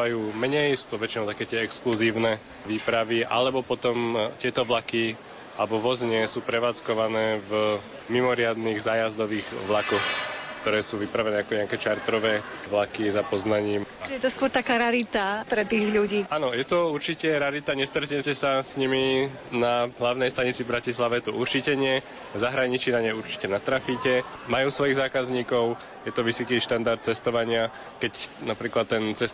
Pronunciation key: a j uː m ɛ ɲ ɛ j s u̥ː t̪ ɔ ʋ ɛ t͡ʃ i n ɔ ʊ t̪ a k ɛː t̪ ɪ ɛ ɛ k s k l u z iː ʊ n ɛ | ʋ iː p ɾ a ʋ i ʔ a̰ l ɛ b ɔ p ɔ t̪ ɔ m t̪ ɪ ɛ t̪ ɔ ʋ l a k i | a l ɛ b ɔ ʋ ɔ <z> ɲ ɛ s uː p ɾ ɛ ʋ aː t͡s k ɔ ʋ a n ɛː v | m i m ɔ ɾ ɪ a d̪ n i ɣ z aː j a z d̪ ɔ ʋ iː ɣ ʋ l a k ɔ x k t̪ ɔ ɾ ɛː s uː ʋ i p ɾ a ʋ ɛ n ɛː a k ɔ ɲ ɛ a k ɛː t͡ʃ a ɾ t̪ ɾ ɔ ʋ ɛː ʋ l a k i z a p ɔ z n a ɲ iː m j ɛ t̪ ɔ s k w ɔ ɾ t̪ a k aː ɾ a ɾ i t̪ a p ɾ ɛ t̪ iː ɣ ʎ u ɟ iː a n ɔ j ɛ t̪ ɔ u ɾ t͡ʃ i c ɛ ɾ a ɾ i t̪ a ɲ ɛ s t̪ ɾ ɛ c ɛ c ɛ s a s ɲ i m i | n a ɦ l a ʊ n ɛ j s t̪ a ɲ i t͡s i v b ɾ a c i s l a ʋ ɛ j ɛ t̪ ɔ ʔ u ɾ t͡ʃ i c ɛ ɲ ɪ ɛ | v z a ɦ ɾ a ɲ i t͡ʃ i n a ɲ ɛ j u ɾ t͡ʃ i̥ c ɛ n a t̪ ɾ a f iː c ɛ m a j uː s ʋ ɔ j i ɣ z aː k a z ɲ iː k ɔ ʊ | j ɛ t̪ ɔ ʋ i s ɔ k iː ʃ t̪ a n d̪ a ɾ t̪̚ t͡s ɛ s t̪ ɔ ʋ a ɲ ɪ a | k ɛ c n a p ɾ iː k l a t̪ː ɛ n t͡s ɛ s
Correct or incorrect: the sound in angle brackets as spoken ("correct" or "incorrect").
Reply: correct